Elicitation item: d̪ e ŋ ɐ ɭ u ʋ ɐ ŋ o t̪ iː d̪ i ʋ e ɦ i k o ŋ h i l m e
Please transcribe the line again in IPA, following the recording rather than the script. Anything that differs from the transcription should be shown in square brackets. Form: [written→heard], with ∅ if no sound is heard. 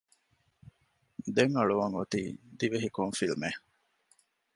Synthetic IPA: d̪ e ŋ ɐ ɭ u ʋ ɐ ŋ o t̪ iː d̪ i ʋ e ɦ i k o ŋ [h→f] i l m e